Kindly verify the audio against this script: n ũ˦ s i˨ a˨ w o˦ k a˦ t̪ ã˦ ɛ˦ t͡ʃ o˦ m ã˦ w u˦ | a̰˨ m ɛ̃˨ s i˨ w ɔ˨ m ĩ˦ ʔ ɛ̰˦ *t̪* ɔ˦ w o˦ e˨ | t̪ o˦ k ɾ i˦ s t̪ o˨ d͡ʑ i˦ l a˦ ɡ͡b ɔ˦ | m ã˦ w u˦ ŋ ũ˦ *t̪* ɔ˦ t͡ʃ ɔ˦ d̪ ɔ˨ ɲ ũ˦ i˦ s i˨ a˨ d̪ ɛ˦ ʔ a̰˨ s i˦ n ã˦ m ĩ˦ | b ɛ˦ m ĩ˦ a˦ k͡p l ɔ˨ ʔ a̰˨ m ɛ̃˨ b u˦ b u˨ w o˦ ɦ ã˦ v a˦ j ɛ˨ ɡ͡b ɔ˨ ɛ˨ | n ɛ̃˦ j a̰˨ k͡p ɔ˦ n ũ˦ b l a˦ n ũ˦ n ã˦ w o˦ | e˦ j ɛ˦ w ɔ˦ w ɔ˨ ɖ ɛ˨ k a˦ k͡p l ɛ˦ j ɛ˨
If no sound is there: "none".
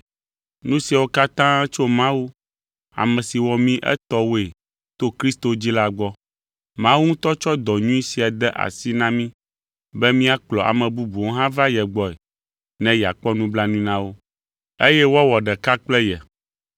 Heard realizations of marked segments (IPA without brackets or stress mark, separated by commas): t̪, t̪